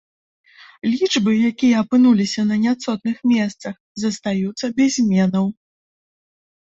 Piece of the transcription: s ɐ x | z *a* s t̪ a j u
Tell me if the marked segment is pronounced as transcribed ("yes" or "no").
no